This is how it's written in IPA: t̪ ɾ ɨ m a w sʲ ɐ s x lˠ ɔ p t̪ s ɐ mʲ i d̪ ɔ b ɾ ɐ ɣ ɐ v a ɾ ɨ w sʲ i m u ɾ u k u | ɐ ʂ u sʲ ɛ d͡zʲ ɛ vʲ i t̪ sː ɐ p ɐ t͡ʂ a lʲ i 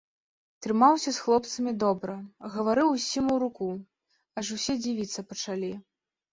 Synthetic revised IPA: t̪ ɾ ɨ m a w sʲ ɐ s x lˠ ɔ p t̪ s ɐ mʲ i d̪ ɔ b ɾ ɐ ɣ ɐ v a ɾ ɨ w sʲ i m u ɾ u k u | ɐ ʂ u sʲ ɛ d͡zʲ i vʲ i t̪ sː ɐ p ɐ t͡ʂ a lʲ i

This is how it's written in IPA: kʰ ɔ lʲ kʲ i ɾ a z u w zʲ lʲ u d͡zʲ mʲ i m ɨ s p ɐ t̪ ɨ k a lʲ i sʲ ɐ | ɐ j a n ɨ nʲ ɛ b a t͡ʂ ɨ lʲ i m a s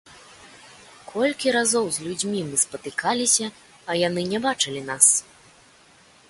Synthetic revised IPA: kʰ ɔ lʲ kʲ i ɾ a z ɔ w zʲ lʲ u d͡zʲ mʲ i m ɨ s p ɐ t̪ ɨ k a lʲ i sʲ ɐ | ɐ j a n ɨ nʲ ɛ b a t͡ʂ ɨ lʲ i n a s

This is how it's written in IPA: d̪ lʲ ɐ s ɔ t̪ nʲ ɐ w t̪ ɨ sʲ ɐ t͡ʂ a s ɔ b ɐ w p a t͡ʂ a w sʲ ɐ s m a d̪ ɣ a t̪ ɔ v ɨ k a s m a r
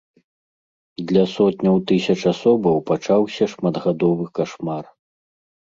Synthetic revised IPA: d̪ lʲ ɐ s ɔ t̪ nʲ ɐ w t̪ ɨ sʲ ɐ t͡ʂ a s ɔ b ɐ w p a t͡ʂ a w sʲ ɐ ʂ m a d̪ ɣ a d̪ ɔ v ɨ k a ʂ m a r

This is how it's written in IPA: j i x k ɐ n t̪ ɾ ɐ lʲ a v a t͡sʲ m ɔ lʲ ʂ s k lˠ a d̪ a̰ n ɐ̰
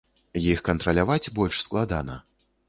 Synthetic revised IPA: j i x k ɐ n t̪ ɾ ɐ lʲ a v a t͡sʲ b ɔ lʲ ʂ s k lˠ a d̪ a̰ n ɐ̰

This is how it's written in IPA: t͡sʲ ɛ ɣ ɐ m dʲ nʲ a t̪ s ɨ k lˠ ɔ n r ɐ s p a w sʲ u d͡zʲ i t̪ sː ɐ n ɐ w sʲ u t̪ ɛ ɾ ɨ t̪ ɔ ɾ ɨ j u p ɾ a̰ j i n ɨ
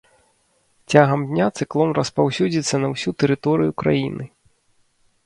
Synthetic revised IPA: t͡sʲ a ɣ ɐ m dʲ nʲ a t̪ s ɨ k lˠ ɔ n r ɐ s p a w sʲ u d͡zʲ i t̪ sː ɐ n ɐ w sʲ u t̪ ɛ ɾ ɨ t̪ ɔ ɾ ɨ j u k ɾ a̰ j i n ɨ

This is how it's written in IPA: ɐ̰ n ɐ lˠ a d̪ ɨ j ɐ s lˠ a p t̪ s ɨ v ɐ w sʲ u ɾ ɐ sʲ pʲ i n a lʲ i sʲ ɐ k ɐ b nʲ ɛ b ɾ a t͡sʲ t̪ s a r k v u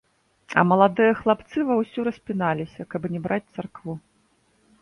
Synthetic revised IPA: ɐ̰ m ɐ lˠ a d̪ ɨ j ɐ x lˠ a p t̪ s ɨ v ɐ w sʲ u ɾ ɐ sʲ pʲ i n a lʲ i sʲ ɐ k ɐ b nʲ ɛ b ɾ a t͡sʲ t̪ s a r k v u

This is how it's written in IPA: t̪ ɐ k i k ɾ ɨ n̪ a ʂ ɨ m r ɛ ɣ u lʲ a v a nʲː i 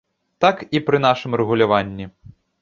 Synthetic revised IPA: t̪ a k i p ɾ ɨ n̪ a ʂ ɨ m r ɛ ɣ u lʲ a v a nʲː i

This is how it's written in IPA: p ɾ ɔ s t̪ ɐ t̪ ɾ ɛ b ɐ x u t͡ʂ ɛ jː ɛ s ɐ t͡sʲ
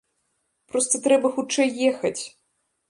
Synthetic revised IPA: p ɾ ɔ s t̪ ɐ t̪ ɾ ɛ b ɐ x u t͡ʂ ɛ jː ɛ x ɐ t͡sʲ

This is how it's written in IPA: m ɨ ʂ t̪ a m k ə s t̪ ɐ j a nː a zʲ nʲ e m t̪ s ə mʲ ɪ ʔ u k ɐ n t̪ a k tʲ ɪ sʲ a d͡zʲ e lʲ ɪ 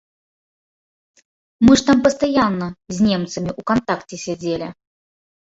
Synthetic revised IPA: m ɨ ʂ t̪ a m p ə s t̪ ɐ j a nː ə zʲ nʲ e m t̪ s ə mʲ ɪ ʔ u k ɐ n t̪ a k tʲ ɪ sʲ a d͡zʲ e lʲ ɪ

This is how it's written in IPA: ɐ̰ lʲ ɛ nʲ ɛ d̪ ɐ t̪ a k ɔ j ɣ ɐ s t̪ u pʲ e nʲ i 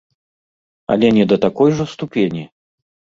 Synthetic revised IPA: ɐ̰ lʲ ɛ nʲ ɛ d̪ ɐ t̪ a k ɔ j ʐ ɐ s t̪ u pʲ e nʲ i

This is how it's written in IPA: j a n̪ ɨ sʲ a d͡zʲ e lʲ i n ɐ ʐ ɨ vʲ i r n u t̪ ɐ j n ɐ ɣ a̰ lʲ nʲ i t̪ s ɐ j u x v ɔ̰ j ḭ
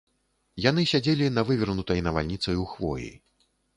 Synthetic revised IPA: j a n̪ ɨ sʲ a d͡zʲ e lʲ i n ɐ v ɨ vʲ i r n u t̪ ɐ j n ɐ v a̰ lʲ nʲ i t̪ s ɐ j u x v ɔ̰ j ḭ

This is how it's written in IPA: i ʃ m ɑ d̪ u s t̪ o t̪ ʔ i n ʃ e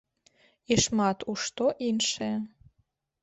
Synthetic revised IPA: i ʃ m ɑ t̪ u ʃ t̪ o ʔ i n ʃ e

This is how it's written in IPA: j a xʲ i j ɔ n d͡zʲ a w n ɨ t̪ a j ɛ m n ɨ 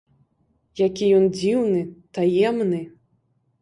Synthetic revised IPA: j a kʲ i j ɔ n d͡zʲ i w n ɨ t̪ a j ɛ m n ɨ

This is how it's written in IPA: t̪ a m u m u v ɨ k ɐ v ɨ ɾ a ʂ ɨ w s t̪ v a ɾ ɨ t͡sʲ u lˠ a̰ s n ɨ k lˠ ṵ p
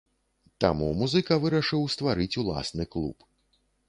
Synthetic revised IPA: t̪ a m u m u z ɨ k ɐ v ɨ ɾ ɐ ʂ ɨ w s t̪ v a ɾ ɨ t͡sʲ u lˠ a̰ s n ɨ k lˠ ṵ p

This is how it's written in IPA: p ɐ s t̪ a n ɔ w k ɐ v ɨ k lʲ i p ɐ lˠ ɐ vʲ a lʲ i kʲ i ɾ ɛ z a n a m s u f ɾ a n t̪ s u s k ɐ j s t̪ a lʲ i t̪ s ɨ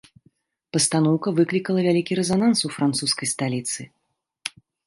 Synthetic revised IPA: p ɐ s t̪ a n ɔ w k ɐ v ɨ k lʲ i k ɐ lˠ ɐ vʲ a lʲ i kʲ i ɾ ɛ z a n a n s u f ɾ a n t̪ s u s k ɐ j s t̪ a lʲ i t̪ s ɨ

